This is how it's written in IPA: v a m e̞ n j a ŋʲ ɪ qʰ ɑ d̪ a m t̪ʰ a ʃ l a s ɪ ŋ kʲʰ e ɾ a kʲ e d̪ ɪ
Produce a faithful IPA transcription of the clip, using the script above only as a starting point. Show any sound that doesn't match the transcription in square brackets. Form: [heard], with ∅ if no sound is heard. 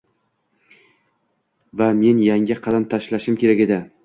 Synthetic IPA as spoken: v a m e̞ n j a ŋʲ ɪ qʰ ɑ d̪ a m t̪ʰ a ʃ l a [ʃ] ɪ [m] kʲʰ e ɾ a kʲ e d̪ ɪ